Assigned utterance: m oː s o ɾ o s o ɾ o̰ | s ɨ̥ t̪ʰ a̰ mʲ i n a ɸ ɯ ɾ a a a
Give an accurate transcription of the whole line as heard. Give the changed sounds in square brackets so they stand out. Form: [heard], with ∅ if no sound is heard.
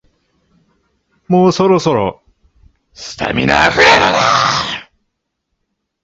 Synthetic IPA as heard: m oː s o ɾ o s o ɾ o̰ | s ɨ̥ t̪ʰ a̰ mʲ i n a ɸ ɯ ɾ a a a